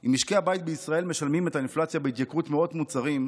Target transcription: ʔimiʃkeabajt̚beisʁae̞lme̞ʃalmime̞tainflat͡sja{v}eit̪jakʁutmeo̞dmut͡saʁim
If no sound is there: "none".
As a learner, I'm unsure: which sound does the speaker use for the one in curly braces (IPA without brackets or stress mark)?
b